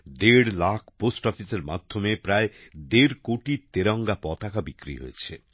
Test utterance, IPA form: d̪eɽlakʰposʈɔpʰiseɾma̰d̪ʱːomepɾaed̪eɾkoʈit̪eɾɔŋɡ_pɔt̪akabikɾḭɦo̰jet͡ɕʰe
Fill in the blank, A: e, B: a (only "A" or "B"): B